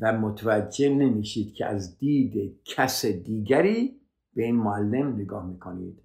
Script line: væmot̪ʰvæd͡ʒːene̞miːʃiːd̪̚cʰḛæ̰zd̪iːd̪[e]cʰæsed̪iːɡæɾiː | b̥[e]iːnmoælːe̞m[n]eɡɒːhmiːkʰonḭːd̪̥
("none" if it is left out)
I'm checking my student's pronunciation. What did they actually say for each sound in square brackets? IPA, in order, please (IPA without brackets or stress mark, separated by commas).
e, e, n